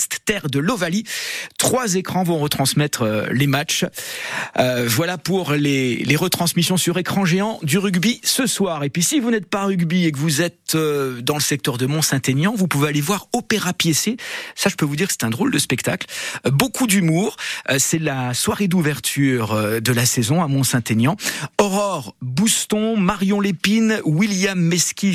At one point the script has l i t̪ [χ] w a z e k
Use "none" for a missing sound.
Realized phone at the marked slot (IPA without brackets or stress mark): χ